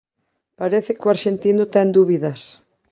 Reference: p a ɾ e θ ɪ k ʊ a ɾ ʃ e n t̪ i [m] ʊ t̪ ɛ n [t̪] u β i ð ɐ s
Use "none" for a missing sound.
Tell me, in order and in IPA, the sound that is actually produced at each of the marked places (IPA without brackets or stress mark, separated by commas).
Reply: n, d̪